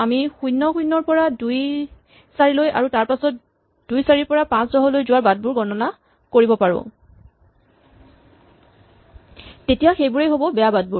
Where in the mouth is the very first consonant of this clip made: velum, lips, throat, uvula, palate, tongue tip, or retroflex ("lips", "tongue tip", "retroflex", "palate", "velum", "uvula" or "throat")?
lips